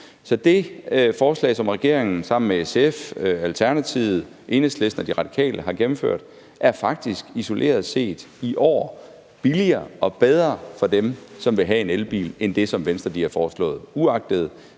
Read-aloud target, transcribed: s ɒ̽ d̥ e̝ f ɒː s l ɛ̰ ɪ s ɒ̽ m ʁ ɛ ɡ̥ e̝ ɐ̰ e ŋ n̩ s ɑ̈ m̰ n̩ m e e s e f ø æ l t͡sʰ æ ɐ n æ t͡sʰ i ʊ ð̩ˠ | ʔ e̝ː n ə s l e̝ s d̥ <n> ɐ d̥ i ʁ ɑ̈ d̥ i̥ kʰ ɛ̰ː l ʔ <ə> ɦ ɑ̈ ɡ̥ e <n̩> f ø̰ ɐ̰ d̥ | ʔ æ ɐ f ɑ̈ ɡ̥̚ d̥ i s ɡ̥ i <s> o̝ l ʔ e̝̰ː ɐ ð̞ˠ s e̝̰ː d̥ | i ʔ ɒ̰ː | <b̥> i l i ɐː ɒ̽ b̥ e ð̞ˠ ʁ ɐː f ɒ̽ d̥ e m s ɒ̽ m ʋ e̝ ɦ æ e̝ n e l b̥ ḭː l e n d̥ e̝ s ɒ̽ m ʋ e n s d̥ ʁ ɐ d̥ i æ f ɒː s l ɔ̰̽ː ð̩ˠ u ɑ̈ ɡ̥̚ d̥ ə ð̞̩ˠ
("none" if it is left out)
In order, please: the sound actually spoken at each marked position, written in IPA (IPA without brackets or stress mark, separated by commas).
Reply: n, ə, m̩, s, b̥